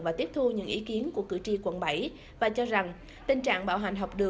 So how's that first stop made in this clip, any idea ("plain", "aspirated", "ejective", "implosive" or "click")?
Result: plain